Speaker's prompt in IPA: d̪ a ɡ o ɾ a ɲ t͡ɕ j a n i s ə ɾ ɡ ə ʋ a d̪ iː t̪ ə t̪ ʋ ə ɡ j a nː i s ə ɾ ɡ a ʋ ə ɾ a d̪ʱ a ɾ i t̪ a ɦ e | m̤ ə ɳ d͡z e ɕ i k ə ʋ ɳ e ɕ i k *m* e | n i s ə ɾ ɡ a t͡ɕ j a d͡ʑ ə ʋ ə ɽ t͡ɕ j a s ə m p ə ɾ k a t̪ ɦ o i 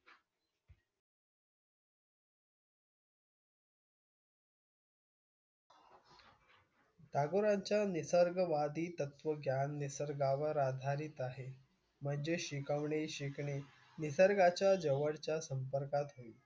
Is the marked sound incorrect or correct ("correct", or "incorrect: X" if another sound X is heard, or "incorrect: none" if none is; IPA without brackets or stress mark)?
incorrect: ɳ